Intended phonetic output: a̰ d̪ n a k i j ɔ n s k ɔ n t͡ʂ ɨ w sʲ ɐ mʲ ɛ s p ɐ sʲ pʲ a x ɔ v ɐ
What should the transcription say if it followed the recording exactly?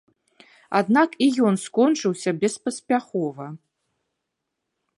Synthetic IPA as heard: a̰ d̪ n a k i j ɔ n s k ɔ n t͡ʂ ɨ w sʲ ɐ bʲ ɛ s p ɐ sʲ pʲ a x ɔ v ɐ